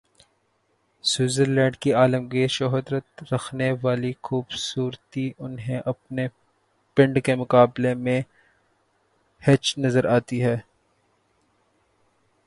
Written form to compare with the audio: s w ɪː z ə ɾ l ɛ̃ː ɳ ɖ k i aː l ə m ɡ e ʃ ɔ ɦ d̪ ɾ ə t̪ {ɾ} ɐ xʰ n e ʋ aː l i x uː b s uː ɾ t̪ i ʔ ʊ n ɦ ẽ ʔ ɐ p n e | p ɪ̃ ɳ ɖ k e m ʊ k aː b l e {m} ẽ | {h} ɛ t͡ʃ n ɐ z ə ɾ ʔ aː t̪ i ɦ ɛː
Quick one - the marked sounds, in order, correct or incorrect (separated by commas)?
correct, correct, correct